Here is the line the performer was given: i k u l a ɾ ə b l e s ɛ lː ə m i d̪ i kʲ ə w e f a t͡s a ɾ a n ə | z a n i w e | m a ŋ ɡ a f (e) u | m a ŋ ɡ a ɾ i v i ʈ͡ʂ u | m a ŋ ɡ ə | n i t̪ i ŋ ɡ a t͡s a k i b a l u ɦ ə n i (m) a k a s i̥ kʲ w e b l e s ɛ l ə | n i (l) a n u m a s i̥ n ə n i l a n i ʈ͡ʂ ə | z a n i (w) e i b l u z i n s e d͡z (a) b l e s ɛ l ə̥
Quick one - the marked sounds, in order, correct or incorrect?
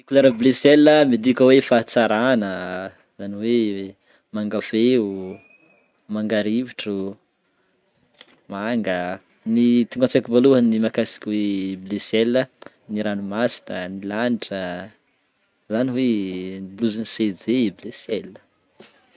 correct, correct, incorrect: ɾ, correct, incorrect: e

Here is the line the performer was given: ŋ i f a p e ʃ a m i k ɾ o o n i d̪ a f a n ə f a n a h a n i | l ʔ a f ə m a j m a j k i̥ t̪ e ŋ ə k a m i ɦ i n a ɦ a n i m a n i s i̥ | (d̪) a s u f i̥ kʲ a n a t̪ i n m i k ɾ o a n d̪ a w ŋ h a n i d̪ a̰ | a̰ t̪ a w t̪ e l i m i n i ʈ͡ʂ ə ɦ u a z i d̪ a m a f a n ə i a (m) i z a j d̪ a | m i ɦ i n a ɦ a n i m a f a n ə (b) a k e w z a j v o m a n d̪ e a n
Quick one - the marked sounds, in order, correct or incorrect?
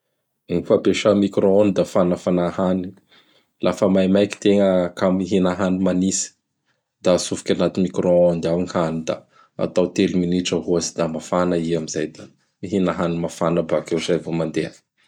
correct, correct, correct

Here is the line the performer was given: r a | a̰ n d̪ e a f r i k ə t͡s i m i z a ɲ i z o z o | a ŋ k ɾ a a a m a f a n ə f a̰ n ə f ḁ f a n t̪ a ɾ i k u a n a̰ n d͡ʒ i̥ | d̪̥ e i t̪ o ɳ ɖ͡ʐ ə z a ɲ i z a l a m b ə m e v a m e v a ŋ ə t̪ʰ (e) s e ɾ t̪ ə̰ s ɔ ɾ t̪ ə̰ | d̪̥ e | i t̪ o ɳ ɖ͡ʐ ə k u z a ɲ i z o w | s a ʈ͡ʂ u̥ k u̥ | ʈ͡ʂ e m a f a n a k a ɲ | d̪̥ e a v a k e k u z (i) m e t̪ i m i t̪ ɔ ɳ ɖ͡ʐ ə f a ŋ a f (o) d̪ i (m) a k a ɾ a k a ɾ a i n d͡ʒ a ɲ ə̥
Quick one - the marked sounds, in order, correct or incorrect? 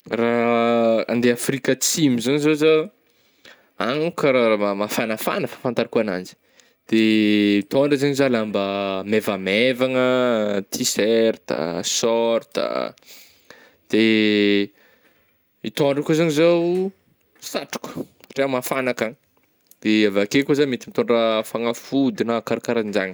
incorrect: i, incorrect: a, incorrect: u, incorrect: n

